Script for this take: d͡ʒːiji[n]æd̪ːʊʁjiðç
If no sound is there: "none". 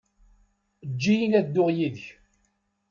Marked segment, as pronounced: n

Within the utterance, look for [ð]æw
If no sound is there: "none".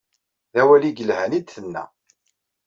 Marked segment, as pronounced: ð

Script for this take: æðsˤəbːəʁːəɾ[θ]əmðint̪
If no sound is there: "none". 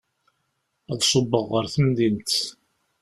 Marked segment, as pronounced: θ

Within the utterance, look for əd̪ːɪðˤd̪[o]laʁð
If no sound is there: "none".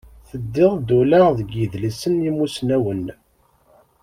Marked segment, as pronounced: u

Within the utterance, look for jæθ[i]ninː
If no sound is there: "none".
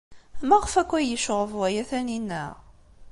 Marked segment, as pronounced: æ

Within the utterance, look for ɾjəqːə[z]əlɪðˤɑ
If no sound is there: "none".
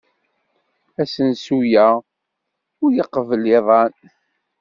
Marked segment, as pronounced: v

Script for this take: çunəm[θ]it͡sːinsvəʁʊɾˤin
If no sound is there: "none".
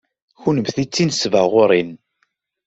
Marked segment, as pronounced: θ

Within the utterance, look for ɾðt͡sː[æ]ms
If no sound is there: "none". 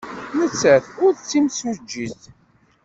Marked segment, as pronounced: i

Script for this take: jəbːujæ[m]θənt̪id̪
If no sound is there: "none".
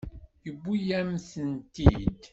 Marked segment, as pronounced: m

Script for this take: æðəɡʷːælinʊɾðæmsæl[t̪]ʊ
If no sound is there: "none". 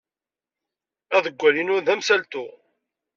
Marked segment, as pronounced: t̪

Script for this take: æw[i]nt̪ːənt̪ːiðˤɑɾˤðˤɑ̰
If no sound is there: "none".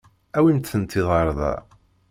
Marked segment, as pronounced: i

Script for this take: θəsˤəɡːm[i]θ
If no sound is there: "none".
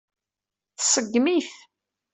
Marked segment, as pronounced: i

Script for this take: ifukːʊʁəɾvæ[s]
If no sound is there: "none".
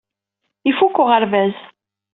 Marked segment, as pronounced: z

